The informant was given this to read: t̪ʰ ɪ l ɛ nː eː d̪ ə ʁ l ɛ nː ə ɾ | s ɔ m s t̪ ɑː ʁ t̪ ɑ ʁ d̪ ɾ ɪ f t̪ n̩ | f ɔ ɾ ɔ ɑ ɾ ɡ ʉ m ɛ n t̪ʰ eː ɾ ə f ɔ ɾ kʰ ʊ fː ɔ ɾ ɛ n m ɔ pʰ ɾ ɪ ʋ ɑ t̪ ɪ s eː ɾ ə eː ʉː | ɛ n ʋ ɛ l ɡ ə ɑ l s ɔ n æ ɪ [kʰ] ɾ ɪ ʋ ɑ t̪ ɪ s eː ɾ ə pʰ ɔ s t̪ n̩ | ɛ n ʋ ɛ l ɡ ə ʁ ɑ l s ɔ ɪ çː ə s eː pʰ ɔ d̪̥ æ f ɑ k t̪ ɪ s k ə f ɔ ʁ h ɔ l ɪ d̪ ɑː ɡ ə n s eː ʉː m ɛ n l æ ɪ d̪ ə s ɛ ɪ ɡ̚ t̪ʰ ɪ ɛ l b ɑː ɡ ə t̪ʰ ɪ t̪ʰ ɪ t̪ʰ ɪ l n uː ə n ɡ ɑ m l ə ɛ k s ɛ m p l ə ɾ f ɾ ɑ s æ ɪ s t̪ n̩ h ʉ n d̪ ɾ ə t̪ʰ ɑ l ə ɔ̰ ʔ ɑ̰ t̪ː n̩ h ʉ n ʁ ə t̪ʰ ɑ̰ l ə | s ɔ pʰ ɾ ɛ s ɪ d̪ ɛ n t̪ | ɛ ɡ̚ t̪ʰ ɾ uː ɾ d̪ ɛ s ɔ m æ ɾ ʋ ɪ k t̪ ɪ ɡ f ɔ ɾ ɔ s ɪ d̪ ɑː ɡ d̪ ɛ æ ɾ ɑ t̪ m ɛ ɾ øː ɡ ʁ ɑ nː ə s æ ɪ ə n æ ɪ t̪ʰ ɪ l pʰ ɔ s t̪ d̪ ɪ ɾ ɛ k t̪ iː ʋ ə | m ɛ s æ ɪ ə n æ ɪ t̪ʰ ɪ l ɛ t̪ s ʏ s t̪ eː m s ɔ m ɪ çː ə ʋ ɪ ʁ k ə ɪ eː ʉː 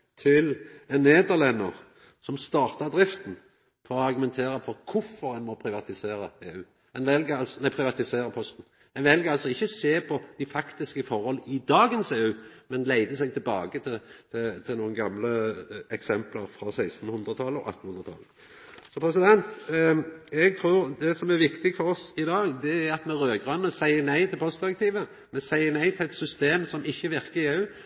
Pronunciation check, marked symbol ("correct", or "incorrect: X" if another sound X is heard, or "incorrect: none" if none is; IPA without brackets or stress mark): incorrect: pʰ